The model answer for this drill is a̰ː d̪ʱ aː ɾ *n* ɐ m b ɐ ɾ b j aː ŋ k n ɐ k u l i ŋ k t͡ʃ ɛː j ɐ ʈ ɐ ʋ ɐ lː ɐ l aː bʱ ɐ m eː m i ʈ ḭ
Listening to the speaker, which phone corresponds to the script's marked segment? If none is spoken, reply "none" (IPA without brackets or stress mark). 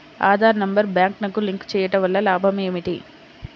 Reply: n